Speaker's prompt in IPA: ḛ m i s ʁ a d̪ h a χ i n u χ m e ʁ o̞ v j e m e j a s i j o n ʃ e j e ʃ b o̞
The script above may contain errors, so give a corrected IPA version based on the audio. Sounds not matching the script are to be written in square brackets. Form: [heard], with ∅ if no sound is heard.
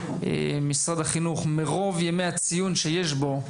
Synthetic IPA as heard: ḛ m i s ʁ a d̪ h a χ i n u χ m e ʁ o̞ v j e m e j a [t͡s] i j [u] n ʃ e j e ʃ b o̞